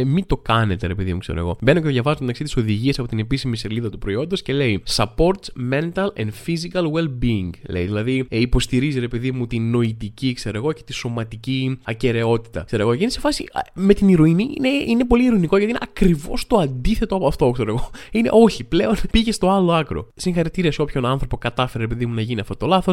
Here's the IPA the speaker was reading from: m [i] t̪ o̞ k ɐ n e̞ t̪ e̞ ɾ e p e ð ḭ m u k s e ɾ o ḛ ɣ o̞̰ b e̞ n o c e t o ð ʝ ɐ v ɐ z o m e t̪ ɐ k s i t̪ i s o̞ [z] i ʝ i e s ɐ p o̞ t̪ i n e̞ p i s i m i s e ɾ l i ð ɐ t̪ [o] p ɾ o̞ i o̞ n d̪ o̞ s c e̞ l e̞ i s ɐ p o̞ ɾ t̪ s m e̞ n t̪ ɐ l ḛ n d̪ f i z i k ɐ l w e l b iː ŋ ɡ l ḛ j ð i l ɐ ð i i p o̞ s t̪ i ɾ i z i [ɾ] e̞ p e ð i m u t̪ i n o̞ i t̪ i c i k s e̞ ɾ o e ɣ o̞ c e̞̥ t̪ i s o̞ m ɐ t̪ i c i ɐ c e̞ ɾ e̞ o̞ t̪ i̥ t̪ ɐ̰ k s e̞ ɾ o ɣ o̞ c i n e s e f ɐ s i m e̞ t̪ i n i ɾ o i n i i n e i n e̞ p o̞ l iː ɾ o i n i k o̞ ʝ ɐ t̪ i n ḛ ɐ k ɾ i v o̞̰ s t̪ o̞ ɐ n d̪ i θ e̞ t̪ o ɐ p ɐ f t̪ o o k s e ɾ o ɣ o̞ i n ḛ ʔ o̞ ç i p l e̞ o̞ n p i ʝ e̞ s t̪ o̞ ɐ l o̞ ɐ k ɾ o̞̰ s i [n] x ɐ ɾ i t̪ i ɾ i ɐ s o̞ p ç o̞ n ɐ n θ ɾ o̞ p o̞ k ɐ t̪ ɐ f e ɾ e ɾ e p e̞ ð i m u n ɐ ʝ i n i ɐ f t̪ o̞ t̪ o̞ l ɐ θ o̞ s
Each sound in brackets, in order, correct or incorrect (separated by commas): correct, incorrect, incorrect, correct, incorrect